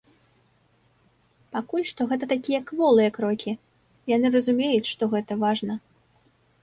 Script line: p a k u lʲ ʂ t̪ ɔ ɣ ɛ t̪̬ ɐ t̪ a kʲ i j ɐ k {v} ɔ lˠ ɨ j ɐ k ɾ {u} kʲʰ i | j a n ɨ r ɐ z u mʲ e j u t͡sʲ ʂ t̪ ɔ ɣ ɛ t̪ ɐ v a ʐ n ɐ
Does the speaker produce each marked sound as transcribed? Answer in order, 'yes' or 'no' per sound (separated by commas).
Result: yes, no